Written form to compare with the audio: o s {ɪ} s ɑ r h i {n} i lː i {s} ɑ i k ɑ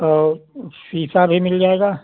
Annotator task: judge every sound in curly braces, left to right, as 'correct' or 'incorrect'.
incorrect: i, incorrect: m, incorrect: none

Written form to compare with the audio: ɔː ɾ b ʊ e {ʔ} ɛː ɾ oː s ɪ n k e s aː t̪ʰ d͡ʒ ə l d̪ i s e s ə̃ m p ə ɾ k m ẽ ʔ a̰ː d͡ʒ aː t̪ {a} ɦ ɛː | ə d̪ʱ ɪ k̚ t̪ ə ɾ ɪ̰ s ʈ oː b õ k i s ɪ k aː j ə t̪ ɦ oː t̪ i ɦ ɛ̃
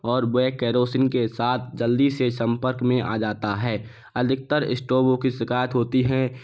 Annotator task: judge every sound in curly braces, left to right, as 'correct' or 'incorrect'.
incorrect: k, correct

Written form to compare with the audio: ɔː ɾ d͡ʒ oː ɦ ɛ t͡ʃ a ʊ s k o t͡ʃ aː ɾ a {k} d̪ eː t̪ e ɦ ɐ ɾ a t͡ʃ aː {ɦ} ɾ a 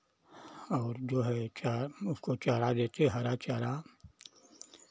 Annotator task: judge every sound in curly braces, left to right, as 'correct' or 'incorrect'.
incorrect: none, incorrect: none

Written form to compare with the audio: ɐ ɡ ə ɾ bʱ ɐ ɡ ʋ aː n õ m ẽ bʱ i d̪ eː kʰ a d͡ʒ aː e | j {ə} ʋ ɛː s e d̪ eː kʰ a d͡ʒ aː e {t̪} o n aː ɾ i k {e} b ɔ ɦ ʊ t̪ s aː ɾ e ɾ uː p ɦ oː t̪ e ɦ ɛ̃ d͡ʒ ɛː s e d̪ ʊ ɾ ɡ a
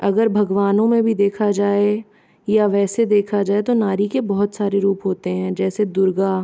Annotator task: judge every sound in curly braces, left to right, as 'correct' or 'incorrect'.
incorrect: a, correct, correct

